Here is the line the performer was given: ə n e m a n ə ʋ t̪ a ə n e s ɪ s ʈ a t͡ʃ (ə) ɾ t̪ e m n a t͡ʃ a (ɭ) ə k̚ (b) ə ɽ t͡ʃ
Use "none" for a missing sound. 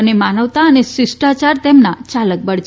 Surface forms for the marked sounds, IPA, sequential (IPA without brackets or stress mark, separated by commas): a, l, b